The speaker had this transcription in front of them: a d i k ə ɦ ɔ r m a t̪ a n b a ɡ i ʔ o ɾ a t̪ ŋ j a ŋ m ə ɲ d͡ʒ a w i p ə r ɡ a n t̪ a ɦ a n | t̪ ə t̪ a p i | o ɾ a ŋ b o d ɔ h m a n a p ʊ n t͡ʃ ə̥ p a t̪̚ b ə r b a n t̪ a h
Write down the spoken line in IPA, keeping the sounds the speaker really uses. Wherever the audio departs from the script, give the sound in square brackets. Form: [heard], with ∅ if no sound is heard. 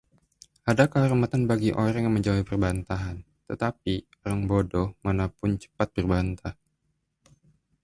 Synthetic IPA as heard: a d [a] k ə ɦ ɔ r m a t̪ a n b a ɡ i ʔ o ɾ a [∅] ŋ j a ŋ m ə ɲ d͡ʒ a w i p ə r [b] a n t̪ a ɦ a n | t̪ ə t̪ a p i | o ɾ a ŋ b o d ɔ h m a n a p ʊ n t͡ʃ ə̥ p a t̪̚ b ə r b a n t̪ a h